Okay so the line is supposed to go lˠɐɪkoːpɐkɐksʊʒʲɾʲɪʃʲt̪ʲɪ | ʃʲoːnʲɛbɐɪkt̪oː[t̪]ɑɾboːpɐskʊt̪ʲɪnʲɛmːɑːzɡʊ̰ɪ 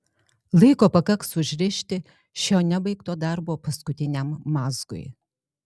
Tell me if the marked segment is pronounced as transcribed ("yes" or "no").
no